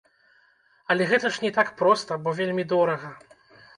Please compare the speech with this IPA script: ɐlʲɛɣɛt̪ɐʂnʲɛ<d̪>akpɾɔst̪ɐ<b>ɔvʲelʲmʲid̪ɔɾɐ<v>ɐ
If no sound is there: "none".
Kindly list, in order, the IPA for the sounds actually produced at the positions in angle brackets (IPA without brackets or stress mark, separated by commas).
t̪, b, ɣ